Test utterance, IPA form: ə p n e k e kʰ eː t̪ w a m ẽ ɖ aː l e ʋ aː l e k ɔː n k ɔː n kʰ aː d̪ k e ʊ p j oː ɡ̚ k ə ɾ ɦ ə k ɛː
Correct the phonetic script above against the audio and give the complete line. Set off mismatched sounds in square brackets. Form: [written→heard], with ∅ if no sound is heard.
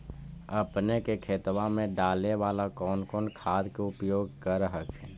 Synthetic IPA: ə p n e k e kʰ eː t̪ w a m ẽ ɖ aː l e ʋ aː l [e→a] k ɔː n k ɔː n kʰ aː d̪ k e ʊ p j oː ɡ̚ k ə ɾ ɦ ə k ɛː